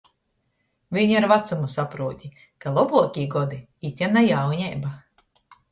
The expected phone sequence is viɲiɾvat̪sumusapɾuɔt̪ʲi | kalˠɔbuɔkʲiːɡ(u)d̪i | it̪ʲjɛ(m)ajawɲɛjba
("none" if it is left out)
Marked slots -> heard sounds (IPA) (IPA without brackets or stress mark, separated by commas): ɔ, n